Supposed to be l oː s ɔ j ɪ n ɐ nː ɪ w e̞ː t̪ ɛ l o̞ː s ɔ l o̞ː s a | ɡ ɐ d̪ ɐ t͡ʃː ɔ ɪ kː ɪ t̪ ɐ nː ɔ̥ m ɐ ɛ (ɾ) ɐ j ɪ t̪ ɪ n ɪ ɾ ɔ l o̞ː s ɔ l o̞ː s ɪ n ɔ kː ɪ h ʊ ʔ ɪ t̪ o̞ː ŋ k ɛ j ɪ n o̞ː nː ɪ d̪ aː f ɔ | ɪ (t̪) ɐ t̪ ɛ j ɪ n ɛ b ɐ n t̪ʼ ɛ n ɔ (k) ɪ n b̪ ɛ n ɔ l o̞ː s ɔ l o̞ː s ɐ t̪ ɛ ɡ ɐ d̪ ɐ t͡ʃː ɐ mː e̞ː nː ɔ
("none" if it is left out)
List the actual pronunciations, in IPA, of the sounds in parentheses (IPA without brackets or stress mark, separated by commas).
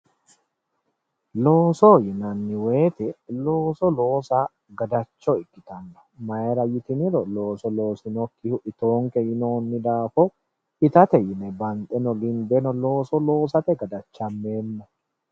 ɾ, t̪, ɡ